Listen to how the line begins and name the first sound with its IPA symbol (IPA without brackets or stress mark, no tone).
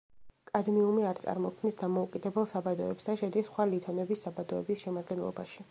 kʼ